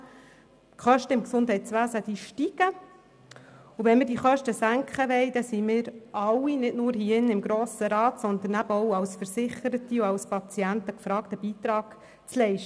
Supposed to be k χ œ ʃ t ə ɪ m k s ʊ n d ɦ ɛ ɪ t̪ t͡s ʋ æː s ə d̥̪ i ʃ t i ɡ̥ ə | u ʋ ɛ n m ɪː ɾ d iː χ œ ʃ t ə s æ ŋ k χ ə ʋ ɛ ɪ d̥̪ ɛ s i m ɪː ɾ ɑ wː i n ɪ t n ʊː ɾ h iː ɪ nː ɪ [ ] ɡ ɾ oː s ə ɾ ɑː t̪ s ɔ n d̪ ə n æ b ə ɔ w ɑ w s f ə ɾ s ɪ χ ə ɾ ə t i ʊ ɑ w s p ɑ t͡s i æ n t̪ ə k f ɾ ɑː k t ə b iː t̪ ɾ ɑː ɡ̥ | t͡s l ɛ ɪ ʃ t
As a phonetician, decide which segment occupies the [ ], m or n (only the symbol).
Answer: m